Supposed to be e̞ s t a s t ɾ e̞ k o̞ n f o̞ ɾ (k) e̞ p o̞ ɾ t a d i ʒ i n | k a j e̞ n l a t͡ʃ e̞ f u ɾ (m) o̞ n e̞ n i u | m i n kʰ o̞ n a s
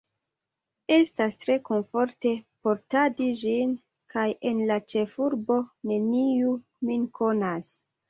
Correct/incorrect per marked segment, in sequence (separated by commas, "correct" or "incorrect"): incorrect, incorrect